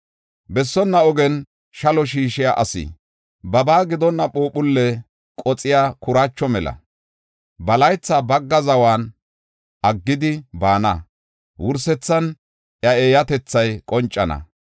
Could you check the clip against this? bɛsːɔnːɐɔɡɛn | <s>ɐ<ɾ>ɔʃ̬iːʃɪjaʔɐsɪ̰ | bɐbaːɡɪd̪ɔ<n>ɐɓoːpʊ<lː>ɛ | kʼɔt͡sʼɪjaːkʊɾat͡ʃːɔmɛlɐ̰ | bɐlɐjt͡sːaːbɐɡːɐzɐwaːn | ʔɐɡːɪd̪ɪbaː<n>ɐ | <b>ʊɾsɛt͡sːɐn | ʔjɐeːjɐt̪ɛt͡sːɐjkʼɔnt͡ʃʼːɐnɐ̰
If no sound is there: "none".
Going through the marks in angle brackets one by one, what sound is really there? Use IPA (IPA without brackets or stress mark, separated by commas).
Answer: ʃ, l, nː, lː, n, w